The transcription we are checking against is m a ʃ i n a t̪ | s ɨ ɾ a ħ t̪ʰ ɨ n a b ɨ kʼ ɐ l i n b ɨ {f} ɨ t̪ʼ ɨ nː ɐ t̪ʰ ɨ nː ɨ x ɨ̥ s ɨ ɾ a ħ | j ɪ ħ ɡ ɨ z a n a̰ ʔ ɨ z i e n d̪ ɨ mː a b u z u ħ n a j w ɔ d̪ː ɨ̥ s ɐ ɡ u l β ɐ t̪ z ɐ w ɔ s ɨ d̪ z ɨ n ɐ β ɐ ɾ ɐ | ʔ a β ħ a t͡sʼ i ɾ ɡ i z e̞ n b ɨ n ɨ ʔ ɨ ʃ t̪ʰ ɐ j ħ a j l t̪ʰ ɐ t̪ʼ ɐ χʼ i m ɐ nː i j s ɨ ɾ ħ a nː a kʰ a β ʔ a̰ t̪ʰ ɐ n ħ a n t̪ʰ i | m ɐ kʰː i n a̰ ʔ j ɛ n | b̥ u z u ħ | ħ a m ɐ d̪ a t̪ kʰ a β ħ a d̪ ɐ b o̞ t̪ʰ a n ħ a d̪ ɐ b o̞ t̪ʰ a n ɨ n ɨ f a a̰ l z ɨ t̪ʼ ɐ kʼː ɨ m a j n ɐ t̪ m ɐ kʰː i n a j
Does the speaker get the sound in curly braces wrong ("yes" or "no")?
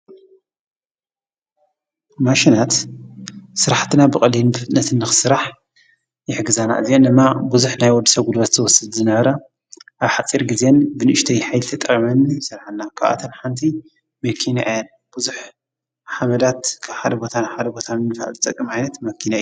no